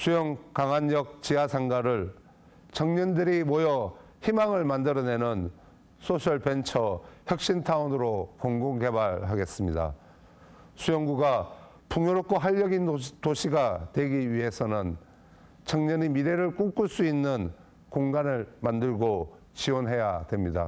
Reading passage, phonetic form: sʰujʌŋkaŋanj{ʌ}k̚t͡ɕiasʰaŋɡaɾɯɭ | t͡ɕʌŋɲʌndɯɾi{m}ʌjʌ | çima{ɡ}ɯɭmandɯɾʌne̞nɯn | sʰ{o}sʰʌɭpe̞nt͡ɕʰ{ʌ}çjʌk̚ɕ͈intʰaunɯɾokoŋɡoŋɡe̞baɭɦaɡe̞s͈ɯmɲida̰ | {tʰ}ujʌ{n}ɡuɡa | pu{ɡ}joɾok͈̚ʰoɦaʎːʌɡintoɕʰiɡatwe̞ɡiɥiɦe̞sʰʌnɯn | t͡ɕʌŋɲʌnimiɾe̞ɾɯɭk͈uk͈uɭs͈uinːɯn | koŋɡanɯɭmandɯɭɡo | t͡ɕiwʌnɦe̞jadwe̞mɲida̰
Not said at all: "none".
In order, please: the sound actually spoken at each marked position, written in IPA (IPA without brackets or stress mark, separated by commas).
ʌ, m, ŋ, o, ʌ, sʰ, ŋ, ŋ